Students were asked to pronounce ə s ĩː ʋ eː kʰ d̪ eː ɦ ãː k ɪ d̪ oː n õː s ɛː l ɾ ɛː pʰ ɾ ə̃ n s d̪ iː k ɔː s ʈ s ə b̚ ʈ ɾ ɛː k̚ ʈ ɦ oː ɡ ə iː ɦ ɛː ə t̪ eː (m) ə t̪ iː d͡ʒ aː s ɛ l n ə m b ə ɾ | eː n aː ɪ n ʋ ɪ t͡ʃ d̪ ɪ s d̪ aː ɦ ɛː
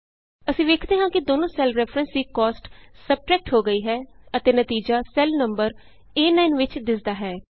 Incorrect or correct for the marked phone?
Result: incorrect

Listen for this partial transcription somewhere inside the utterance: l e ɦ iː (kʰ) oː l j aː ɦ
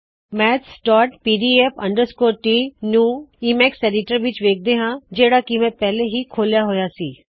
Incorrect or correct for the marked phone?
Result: correct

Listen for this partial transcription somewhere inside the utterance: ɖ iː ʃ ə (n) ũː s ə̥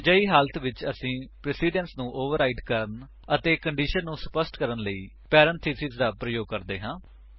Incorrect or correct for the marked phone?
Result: incorrect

